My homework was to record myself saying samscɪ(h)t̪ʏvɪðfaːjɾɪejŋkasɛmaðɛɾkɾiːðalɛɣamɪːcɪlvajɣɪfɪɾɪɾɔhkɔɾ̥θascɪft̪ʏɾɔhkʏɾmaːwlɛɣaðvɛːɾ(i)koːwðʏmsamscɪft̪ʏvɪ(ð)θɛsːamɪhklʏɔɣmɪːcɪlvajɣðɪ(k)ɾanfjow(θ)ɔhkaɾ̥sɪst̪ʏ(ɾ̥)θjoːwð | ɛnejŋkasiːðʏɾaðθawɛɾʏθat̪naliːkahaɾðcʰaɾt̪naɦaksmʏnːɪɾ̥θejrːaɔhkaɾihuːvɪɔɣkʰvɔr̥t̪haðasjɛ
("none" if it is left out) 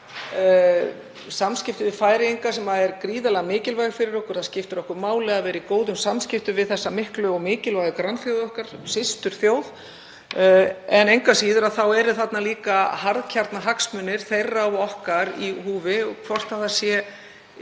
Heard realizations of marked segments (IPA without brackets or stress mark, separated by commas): f, i, ð, k, ð, ɾ̥